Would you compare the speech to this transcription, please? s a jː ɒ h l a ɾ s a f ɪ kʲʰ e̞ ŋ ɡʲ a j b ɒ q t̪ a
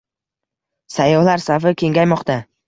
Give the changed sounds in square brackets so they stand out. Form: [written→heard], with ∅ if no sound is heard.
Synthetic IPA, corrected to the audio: s a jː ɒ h l a ɾ s a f ɪ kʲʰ e̞ ŋ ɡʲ a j [b→m] ɒ q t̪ a